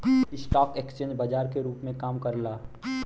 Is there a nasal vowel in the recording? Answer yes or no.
yes